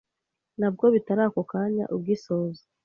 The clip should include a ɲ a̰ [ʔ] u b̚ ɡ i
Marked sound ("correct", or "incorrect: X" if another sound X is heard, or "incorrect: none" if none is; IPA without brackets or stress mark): correct